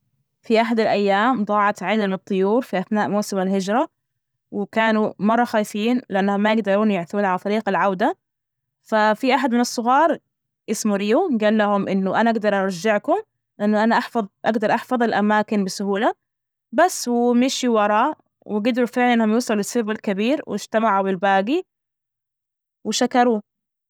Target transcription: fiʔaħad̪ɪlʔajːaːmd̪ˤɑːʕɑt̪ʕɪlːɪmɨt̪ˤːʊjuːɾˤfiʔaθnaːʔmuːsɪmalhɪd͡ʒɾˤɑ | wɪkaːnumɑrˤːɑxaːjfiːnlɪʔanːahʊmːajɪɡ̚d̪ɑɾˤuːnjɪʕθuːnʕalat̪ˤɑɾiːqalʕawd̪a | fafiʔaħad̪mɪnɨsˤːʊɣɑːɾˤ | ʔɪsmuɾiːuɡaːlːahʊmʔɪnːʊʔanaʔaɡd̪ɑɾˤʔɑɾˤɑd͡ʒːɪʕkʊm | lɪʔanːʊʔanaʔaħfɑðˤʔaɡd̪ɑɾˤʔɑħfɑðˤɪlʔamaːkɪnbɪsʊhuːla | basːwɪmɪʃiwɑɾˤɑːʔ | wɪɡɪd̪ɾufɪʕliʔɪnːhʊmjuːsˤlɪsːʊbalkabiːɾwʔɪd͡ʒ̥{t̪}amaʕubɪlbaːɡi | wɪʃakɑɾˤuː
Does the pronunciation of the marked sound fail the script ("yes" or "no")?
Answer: no